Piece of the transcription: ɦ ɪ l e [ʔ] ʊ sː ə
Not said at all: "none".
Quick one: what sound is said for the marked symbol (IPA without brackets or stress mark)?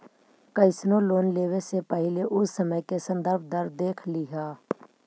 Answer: ʔ